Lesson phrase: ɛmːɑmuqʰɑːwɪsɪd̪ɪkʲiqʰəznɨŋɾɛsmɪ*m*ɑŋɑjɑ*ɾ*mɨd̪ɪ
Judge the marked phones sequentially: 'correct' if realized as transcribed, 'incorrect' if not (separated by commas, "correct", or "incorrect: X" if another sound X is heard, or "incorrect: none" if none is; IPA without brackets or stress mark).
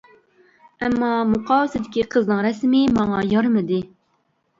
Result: correct, correct